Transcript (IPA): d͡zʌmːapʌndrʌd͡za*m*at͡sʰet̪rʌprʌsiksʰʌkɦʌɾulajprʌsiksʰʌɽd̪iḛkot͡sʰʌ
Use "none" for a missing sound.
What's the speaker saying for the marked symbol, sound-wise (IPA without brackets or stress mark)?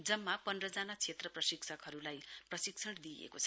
n